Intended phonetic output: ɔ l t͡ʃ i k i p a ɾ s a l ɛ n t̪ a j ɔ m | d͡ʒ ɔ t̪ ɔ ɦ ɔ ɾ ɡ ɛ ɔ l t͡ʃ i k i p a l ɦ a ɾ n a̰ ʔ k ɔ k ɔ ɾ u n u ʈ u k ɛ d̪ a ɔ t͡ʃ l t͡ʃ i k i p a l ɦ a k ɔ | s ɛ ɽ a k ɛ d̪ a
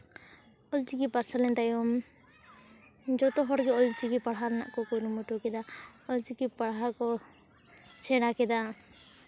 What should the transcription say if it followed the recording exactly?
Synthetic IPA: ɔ l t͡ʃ i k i p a ɾ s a l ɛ n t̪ a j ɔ m | d͡ʒ ɔ t̪ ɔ ɦ ɔ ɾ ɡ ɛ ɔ l t͡ʃ i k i p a ɽ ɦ a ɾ n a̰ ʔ k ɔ k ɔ ɾ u m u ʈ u k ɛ d̪ a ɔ l t͡ʃ i k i p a ɽ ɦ a k ɔ | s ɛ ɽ a k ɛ d̪ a